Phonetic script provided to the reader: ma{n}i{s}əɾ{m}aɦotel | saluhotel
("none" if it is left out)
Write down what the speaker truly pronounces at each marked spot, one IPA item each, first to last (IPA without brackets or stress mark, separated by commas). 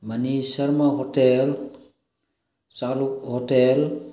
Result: n, s, m